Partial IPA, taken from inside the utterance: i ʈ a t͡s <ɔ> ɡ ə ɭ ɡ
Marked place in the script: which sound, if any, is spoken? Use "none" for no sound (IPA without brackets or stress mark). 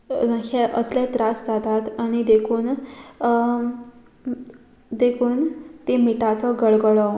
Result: ɔ